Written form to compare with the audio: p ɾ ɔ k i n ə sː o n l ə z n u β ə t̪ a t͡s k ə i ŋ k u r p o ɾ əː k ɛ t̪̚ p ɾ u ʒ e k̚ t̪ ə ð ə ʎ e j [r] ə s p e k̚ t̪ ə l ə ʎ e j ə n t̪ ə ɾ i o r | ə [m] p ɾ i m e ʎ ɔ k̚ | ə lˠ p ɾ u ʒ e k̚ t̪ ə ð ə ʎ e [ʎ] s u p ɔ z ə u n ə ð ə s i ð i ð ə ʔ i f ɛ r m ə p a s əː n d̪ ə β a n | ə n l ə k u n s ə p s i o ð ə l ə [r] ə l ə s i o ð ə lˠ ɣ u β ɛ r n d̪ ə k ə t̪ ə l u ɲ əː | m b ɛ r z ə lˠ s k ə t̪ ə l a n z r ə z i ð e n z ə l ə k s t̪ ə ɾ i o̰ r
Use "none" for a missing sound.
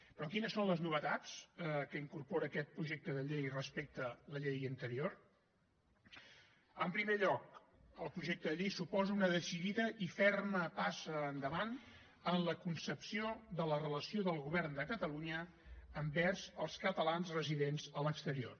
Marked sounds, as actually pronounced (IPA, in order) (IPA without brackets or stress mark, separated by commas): r, m, j, r